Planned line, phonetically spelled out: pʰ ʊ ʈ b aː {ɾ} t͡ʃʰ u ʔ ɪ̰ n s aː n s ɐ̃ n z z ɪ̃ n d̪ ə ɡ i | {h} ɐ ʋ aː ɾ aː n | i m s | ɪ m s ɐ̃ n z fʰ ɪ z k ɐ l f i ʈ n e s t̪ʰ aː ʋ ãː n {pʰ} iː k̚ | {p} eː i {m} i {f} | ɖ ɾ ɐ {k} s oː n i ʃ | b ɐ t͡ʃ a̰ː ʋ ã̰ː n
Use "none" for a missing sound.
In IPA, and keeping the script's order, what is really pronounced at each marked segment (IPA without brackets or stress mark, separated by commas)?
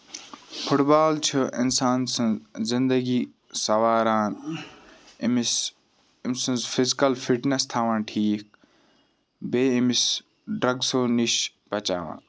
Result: l, s, ʈʰ, b, m, s, ɡ